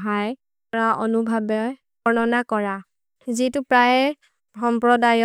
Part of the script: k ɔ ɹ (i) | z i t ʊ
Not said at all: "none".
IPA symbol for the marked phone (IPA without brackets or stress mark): a